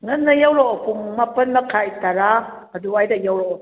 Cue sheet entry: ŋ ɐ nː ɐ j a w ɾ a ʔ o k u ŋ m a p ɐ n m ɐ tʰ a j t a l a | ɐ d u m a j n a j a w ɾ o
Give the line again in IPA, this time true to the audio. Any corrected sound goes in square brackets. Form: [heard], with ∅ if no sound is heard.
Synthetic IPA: ŋ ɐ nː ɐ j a w ɾ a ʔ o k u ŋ m a p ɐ n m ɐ [kʰ] a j t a [ɾ] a | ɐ d u [∅] a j [d] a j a w ɾ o